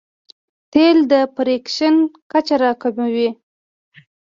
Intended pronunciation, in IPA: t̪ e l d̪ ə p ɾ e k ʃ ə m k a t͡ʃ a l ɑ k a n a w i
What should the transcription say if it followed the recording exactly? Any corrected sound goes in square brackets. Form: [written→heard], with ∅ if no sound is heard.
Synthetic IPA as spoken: t̪ e l d̪ ə p ɾ e k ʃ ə [m→n] k a t͡ʃ a [l→ɾ] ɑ k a [n→m] a w i